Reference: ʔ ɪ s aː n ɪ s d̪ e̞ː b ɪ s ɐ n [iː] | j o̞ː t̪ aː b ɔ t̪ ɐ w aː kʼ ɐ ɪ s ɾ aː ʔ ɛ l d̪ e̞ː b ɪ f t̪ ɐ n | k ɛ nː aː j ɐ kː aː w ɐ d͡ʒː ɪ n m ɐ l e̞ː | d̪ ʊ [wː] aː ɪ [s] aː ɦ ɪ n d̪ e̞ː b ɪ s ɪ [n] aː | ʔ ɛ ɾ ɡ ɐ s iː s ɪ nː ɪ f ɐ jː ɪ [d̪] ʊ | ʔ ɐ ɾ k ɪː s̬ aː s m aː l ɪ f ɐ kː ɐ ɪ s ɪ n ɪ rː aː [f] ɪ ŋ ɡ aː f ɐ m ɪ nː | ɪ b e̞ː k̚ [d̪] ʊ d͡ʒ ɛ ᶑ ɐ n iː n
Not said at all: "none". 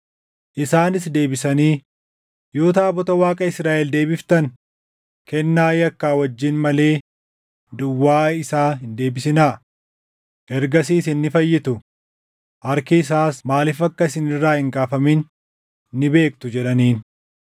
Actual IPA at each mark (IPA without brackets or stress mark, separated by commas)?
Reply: iː, wː, s, n, t̪, h, t̪